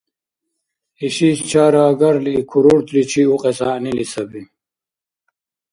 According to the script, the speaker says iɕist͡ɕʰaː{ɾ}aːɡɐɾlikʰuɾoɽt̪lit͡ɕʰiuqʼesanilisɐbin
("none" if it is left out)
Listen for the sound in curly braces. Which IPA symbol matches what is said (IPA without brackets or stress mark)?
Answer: ɾ